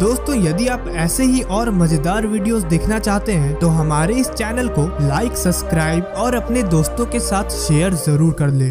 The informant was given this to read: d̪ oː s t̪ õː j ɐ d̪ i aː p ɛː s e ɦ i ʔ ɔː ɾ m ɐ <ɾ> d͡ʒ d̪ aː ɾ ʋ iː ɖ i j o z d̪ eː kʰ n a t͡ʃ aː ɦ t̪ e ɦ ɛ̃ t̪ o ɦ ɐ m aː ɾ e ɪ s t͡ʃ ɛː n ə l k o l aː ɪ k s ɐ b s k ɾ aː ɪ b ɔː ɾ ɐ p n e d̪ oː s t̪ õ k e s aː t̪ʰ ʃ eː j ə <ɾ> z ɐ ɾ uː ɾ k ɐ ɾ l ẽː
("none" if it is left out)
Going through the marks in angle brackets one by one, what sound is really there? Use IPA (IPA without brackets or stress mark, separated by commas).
none, ɾ